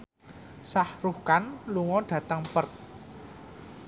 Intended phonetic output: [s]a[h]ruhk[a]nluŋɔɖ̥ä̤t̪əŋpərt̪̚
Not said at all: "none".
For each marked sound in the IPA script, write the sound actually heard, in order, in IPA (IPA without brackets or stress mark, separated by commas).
s, h, a